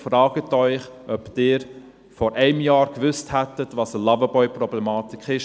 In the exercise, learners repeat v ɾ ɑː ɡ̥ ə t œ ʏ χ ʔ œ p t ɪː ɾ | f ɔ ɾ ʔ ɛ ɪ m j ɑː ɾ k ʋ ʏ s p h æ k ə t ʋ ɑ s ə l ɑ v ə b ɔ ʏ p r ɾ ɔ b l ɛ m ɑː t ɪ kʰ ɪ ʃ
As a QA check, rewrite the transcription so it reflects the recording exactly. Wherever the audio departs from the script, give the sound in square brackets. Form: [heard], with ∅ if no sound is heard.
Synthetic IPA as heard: [f] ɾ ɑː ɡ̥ ə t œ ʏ χ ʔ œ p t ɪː ɾ | f ɔ ɾ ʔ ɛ ɪ m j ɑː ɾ k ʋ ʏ s [t] h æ [t] ə t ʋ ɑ s ə l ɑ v ə b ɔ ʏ p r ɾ ɔ b l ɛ m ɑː t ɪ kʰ ɪ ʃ

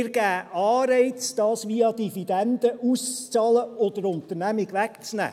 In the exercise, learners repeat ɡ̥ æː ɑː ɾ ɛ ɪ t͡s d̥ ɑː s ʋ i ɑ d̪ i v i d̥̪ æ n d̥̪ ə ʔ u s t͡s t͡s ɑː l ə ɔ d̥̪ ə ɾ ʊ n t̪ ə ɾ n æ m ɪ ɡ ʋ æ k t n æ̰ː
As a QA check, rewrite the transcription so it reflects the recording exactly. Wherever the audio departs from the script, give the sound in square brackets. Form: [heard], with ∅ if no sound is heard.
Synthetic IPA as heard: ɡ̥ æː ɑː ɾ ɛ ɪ t͡s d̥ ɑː s ʋ i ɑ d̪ i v i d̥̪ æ n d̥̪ ə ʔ u s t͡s t͡s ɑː l ə ɔ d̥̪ ə ɾ ʊ n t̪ ə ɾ n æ m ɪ ɡ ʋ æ k [t͡s] n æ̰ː

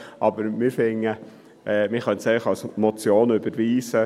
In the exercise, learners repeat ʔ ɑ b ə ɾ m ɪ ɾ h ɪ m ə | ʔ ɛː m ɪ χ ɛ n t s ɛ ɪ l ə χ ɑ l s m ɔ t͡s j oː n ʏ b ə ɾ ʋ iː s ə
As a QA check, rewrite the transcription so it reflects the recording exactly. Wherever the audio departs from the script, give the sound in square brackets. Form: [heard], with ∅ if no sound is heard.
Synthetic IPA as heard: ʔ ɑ b ə ɾ m ɪ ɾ [f] ɪ [ŋ] ə | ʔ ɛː m ɪ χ [œ] n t s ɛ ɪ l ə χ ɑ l s m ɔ t͡s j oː n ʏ b ə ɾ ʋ iː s ə

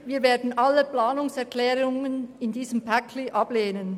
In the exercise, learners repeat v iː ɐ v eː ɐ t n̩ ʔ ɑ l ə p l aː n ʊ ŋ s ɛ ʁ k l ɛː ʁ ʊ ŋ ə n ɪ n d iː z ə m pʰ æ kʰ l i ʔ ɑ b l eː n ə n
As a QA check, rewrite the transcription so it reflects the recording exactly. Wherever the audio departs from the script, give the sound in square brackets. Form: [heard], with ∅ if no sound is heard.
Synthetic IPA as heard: v iː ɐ v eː ɐ [d] n̩ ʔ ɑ l ə p l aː n ʊ ŋ s ɛ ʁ k l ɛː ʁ ʊ ŋ ə n ɪ n d iː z ə m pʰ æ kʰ l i ʔ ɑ b l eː n ə n

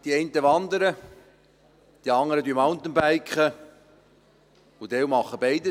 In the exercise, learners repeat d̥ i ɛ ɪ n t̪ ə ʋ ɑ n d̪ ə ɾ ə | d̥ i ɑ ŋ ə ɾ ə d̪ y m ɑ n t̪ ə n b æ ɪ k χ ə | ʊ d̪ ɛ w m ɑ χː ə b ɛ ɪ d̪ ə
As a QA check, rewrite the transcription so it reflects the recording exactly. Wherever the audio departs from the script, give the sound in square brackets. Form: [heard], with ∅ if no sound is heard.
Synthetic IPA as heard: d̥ i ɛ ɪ n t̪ ə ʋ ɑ n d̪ ə ɾ ə | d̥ i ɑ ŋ ə ɾ ə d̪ y m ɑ n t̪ ə n b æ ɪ k χ ə | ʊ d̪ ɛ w m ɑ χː ə b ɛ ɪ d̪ ə

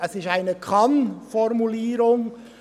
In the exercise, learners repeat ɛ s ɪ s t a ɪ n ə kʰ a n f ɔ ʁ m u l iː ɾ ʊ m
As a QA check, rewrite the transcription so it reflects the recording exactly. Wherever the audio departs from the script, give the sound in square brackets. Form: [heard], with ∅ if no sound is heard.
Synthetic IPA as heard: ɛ s ɪ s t a ɪ n ə kʰ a n f ɔ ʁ m u l iː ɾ ʊ [ŋ]

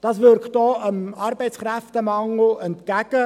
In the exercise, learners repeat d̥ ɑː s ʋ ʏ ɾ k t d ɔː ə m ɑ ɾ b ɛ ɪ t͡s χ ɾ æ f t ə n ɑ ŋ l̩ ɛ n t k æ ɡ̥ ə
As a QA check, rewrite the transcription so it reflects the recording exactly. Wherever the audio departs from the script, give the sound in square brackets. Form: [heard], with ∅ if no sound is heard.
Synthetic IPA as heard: d̥ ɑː s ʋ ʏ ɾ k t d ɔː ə m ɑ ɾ b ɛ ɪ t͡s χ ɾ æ f t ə [m] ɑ ŋ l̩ ɛ n t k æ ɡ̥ ə

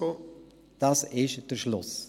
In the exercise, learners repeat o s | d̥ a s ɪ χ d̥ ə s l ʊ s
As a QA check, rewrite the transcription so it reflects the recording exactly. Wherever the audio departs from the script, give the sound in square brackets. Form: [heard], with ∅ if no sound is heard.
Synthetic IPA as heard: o [∅] | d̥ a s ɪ [ʃ] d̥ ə [ʃ] l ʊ s

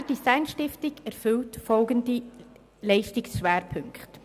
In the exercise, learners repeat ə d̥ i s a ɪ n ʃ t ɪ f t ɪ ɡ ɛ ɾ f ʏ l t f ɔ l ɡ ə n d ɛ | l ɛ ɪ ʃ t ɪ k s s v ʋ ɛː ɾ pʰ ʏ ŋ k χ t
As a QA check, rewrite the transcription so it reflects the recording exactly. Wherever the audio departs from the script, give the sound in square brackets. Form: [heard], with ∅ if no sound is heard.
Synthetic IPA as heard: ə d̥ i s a ɪ n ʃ t ɪ f t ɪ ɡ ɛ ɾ f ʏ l t f ɔ l ɡ ə n d [i] | l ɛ ɪ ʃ t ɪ k s [ʃ] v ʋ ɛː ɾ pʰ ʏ ŋ k χ t

